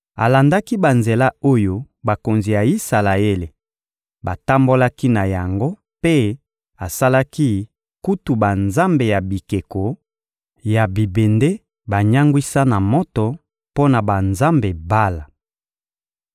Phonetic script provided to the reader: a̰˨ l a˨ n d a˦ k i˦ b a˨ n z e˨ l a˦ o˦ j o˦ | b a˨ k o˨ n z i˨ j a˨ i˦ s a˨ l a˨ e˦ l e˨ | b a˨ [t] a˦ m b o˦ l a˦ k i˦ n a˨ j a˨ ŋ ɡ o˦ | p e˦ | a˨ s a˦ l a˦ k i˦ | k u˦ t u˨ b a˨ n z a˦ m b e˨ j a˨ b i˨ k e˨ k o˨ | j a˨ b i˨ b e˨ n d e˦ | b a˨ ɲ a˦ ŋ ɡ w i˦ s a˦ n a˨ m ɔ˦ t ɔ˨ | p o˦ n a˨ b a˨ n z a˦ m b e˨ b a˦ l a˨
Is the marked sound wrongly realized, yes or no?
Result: no